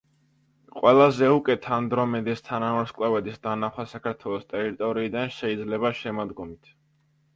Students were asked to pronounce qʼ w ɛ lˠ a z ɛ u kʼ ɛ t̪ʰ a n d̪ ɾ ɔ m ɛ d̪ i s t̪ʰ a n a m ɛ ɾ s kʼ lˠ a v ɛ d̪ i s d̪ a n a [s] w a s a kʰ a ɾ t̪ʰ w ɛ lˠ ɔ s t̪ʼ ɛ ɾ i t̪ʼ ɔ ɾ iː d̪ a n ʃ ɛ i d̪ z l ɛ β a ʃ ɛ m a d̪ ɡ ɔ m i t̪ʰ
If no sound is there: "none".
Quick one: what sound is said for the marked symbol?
χ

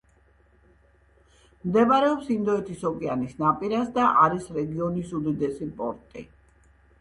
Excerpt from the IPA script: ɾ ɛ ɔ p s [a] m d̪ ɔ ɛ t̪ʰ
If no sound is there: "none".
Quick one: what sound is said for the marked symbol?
i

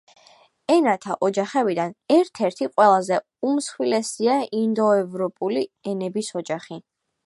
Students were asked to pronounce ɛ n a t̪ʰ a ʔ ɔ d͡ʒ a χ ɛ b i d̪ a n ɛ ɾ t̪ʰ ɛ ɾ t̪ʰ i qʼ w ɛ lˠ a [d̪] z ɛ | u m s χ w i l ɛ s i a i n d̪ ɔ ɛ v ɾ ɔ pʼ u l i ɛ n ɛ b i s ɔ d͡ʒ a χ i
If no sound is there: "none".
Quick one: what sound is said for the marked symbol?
none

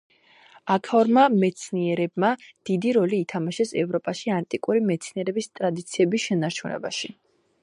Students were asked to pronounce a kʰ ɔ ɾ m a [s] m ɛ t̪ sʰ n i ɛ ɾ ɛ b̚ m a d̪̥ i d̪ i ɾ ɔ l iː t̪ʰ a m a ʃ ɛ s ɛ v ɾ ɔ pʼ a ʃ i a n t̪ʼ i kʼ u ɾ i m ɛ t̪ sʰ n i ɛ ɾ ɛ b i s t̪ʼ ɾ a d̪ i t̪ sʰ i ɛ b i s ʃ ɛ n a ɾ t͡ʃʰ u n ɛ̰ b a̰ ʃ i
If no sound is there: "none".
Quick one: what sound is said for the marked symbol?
none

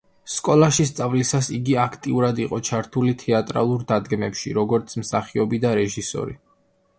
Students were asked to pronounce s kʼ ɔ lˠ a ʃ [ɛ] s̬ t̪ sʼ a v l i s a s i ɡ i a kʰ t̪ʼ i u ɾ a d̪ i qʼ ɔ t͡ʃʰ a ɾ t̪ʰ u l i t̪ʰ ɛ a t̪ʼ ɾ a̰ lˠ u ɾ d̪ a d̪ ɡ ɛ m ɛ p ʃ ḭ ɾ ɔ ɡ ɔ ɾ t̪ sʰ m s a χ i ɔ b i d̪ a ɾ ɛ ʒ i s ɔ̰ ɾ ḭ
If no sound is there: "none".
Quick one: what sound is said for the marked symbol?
i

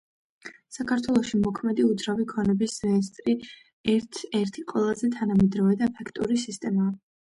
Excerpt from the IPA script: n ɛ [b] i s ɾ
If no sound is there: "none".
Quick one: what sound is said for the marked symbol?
b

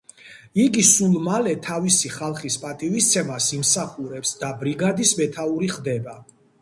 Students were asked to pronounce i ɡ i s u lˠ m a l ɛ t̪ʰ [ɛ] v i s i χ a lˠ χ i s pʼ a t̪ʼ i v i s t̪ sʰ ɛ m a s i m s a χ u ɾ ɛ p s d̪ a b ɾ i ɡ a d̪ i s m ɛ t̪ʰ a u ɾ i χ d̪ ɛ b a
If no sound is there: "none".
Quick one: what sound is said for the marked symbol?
a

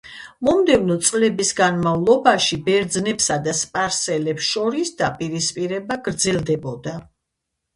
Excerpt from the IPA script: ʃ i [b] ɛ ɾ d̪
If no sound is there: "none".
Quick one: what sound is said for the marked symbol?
b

